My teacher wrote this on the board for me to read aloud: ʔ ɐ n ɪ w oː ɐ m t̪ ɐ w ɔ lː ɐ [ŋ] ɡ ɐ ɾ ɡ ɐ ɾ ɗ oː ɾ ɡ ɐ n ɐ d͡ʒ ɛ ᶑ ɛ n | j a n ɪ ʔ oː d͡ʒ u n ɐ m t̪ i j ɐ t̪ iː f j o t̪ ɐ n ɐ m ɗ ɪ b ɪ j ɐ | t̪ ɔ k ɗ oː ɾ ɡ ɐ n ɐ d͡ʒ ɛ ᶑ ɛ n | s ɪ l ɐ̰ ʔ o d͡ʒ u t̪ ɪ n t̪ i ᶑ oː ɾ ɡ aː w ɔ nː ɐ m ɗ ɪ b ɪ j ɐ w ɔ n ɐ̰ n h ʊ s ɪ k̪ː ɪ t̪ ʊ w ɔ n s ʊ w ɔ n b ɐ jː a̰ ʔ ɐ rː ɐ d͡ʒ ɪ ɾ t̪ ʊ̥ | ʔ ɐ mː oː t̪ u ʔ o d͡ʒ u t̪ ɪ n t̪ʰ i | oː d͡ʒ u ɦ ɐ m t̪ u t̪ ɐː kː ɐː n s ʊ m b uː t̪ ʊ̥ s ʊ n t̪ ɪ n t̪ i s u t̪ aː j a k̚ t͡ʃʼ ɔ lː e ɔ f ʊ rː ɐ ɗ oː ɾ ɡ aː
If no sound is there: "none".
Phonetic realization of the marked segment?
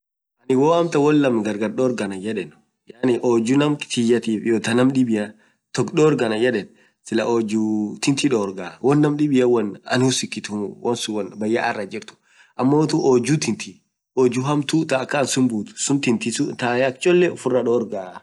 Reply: m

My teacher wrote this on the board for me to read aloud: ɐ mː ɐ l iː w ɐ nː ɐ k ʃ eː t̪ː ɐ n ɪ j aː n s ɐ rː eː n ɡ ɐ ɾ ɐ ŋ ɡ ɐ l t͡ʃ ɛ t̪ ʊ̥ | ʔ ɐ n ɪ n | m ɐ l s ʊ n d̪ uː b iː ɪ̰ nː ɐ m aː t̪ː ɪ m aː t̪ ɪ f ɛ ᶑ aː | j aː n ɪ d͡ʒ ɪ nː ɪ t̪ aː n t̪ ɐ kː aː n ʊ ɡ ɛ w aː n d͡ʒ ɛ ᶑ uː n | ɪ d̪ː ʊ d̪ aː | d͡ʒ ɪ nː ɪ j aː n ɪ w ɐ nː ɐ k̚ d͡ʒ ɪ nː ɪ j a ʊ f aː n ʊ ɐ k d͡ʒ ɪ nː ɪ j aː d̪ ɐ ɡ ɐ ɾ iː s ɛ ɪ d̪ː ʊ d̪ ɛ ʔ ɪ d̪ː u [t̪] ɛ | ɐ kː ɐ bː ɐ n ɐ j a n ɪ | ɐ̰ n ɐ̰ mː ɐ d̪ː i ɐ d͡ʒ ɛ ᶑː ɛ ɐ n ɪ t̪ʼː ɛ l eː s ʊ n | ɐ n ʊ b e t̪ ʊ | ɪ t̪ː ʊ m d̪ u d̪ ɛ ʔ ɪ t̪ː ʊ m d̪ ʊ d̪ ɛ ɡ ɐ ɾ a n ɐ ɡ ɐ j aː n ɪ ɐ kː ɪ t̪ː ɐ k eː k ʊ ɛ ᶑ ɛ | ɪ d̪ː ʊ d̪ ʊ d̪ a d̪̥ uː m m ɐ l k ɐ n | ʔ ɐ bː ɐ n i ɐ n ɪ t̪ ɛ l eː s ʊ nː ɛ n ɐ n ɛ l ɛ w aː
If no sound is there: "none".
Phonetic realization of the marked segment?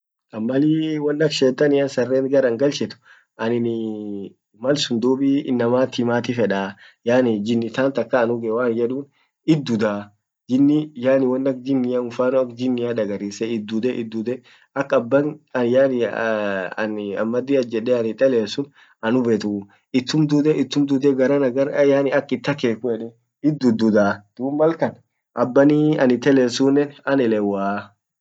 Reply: d̪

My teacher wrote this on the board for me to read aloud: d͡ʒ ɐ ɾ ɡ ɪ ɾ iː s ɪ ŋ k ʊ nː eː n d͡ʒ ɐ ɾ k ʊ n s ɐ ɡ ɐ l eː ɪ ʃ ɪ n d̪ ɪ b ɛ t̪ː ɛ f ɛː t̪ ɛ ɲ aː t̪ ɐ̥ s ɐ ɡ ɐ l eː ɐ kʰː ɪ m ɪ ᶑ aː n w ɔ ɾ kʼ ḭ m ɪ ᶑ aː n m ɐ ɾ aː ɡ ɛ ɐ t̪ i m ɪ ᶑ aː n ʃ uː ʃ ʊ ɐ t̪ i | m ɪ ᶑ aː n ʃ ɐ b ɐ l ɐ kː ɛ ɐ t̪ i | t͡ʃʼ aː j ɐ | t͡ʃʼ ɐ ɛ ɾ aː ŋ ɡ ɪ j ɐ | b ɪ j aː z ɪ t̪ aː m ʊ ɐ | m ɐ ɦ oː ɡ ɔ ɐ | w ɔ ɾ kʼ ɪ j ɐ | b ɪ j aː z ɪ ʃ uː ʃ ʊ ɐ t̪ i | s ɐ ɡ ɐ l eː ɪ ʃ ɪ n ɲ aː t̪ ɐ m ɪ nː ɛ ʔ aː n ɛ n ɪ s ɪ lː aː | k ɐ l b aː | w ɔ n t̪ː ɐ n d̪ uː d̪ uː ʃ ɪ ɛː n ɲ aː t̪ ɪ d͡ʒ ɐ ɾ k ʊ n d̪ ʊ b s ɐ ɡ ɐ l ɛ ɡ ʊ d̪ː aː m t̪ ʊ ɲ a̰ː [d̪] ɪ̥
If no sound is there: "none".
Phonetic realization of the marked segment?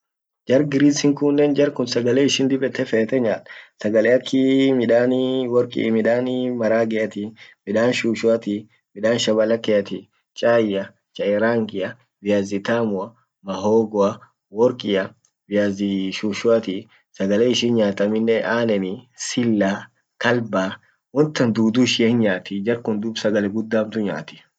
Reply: t̪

